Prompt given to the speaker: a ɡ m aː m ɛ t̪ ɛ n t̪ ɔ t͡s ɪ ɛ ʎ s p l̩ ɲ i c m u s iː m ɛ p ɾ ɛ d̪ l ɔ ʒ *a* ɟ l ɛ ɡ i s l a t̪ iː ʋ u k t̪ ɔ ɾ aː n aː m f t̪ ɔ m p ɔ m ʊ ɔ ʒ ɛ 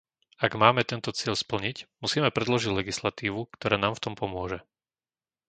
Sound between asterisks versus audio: incorrect: i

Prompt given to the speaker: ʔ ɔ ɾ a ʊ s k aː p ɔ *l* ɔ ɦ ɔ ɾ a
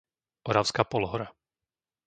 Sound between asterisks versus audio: correct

